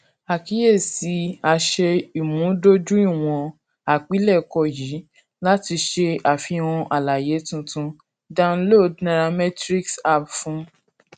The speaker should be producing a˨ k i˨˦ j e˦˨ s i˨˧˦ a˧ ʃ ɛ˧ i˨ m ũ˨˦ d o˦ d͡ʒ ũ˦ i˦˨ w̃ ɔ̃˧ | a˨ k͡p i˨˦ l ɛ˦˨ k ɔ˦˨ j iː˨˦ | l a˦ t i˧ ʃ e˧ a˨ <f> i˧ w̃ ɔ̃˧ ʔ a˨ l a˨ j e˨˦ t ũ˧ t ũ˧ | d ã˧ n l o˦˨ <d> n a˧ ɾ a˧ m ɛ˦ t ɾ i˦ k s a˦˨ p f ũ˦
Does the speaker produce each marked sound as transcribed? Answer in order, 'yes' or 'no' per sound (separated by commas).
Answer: yes, yes